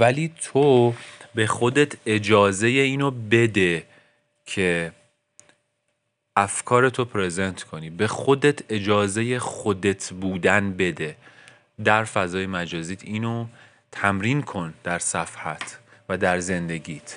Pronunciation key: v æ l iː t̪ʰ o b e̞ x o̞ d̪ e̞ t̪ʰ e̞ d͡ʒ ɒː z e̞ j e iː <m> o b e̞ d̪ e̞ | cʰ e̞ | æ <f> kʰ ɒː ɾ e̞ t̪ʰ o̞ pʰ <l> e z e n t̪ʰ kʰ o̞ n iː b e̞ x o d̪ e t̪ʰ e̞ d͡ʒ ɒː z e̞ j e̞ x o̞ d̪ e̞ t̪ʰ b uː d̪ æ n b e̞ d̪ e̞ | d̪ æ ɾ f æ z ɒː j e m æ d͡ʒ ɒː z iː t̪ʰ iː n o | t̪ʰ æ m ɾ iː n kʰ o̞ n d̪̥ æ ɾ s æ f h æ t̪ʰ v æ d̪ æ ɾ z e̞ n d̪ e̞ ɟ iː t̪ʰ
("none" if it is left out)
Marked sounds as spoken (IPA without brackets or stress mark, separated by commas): n, f, ɾ